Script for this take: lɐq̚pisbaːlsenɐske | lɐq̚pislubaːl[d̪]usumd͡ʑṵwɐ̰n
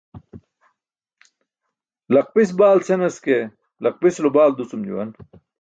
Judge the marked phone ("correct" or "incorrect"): correct